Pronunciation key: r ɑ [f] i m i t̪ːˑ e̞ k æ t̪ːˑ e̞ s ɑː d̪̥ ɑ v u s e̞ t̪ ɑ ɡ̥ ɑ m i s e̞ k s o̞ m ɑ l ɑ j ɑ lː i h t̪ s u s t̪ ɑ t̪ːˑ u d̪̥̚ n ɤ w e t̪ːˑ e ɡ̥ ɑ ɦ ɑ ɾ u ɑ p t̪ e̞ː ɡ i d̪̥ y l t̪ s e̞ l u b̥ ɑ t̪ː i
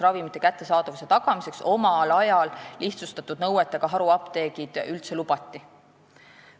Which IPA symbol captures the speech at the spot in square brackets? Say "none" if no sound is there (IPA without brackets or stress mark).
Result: v